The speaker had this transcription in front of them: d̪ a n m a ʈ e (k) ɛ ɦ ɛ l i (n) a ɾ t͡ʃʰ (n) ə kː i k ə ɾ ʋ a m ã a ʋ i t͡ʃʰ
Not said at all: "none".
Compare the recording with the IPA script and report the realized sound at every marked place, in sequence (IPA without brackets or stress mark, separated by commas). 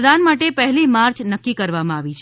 p, m, n